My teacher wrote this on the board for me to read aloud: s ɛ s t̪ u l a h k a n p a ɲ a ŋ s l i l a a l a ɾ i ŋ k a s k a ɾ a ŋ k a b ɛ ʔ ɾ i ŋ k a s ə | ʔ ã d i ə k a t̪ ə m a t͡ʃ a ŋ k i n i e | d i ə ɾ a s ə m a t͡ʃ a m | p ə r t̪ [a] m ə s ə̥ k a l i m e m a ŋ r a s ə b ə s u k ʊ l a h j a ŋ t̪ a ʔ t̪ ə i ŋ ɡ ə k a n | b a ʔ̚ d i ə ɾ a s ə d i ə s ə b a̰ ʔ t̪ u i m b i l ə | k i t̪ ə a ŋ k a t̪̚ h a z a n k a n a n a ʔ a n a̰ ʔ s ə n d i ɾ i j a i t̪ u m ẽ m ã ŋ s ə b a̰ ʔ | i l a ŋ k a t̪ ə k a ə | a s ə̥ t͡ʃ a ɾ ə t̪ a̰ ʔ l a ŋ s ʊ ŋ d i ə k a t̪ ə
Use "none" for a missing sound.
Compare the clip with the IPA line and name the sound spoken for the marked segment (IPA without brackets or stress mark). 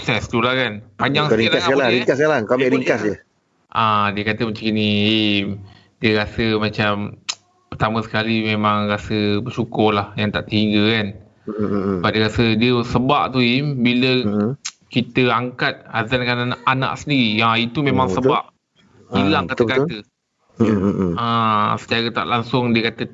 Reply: a